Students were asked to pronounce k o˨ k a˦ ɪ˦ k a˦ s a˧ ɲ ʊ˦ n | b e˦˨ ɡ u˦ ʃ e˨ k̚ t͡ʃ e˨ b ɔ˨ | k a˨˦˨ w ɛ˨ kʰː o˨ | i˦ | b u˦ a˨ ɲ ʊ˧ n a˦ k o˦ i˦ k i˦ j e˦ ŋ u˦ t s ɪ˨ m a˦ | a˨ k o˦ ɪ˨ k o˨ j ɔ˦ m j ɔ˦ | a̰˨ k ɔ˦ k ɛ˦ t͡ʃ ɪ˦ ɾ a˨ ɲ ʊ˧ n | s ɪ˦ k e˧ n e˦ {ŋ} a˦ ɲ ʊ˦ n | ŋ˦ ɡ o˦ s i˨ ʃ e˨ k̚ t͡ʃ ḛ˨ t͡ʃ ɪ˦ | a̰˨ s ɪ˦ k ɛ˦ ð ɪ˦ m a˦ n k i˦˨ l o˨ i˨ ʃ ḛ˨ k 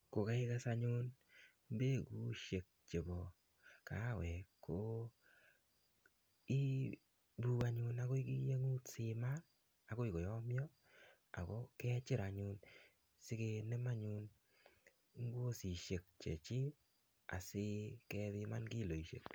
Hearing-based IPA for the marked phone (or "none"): m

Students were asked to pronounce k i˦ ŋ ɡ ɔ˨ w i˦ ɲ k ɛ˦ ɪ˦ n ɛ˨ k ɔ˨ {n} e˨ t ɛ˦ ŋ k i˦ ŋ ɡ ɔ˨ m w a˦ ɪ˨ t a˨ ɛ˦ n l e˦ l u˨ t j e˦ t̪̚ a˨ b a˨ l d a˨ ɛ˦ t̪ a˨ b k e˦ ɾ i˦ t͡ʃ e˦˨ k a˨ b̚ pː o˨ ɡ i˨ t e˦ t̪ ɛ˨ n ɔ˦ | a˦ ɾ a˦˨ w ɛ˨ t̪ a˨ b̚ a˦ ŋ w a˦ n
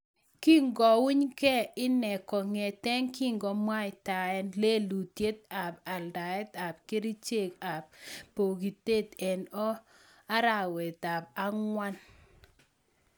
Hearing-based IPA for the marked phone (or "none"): ŋ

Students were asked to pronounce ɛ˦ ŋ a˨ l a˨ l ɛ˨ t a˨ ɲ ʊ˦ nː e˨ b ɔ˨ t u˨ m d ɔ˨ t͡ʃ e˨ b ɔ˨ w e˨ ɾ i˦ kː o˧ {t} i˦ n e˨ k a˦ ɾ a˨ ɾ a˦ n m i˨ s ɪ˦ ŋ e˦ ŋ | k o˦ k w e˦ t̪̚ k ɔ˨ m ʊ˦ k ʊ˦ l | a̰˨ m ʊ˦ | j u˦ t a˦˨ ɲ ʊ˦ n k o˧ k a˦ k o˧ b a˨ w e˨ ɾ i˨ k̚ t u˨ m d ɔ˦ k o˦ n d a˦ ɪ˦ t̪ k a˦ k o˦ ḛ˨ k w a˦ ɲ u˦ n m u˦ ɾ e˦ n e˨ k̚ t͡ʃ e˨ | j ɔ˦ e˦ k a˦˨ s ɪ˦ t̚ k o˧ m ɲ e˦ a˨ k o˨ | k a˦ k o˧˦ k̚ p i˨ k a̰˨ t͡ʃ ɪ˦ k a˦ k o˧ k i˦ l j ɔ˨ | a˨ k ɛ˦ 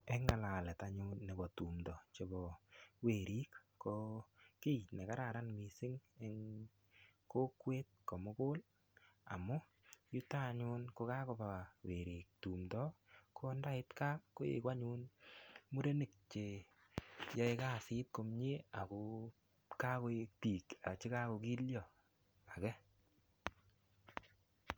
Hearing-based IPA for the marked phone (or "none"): k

